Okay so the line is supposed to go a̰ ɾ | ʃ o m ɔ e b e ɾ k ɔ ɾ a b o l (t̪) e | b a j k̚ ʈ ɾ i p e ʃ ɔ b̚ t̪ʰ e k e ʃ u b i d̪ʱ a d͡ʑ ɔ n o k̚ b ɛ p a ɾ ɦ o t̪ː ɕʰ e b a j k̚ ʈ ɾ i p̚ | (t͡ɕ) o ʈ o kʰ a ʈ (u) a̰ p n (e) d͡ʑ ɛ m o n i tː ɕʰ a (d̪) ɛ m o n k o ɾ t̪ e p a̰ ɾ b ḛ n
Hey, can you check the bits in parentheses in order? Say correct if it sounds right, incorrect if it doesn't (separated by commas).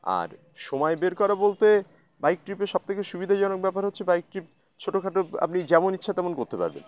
correct, incorrect, incorrect, incorrect, incorrect